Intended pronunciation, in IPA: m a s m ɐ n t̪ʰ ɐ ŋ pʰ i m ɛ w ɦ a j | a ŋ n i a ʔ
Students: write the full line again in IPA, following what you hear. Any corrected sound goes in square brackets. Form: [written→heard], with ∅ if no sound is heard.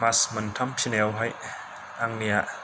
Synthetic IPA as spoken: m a s m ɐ n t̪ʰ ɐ [ŋ→m] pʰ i [m→n] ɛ w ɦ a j | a ŋ n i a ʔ